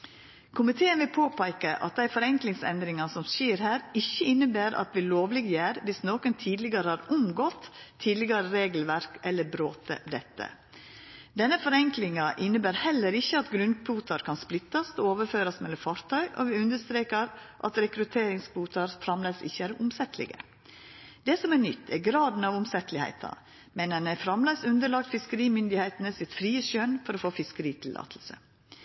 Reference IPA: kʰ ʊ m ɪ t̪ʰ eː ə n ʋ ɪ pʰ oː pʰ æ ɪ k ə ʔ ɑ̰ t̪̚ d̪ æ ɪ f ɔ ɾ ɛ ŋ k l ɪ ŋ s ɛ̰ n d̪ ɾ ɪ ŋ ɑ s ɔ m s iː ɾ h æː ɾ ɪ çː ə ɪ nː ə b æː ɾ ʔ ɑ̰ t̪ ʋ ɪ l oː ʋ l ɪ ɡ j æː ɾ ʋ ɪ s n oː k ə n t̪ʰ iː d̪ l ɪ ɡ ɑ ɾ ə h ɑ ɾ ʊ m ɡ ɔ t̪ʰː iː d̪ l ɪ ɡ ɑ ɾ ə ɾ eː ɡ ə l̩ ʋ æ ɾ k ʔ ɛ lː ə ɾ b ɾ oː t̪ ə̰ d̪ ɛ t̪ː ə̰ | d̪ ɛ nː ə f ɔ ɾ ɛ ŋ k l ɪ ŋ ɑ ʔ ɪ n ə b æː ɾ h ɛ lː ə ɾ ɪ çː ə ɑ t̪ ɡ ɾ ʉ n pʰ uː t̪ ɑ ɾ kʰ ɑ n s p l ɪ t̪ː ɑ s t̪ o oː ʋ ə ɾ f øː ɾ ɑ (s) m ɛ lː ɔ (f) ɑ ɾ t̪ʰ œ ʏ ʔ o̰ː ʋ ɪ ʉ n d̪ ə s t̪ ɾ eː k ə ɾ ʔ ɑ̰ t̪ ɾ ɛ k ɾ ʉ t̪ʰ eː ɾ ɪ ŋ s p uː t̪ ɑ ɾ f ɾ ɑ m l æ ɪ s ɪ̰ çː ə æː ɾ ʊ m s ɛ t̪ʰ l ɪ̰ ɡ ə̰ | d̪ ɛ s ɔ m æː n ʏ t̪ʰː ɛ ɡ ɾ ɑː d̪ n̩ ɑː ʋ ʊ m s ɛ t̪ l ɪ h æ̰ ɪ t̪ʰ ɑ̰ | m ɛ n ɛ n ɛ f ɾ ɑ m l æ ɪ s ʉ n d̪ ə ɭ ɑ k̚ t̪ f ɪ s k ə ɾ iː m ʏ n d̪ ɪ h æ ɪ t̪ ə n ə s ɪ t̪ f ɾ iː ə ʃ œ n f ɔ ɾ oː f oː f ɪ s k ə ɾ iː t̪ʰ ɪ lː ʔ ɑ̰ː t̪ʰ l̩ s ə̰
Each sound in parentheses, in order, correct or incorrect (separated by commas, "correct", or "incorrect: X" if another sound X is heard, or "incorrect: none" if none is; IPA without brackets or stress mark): correct, correct